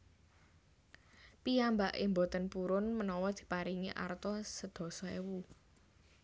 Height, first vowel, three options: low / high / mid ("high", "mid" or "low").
high